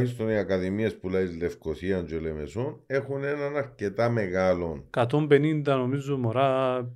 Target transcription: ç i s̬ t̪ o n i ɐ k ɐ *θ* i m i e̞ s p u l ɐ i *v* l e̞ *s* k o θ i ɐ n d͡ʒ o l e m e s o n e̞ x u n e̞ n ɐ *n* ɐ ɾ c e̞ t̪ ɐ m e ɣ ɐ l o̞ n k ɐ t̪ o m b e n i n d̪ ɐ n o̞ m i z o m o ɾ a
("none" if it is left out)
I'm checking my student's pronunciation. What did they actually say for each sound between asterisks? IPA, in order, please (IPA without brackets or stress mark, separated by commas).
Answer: ð, z, f, n